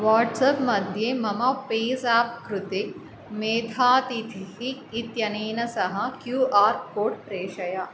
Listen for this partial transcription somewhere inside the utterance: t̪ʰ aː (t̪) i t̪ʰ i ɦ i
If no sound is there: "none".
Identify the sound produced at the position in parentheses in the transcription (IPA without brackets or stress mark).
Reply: t̪